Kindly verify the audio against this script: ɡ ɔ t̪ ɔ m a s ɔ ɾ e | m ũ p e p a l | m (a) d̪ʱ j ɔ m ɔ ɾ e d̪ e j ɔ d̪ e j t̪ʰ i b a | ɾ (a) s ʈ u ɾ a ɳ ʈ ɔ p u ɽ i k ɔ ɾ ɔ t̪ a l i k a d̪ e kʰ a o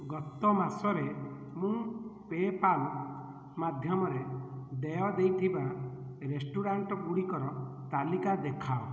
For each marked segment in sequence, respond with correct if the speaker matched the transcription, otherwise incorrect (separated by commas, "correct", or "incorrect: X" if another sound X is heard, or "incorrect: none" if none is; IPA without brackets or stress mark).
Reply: correct, incorrect: e